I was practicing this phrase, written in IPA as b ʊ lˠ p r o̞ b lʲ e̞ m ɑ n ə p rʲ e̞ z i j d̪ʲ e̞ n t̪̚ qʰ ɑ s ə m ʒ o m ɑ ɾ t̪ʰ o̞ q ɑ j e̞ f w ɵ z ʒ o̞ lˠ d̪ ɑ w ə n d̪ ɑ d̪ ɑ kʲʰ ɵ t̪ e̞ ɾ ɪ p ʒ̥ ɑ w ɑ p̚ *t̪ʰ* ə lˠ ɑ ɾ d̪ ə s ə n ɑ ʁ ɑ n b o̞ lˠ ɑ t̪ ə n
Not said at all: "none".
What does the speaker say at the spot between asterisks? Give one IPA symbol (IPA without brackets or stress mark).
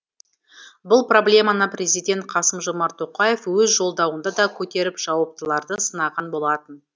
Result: t̪